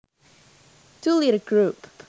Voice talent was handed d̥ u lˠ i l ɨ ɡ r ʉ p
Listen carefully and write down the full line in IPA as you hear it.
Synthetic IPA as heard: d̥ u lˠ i ɾ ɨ ɡ ɹ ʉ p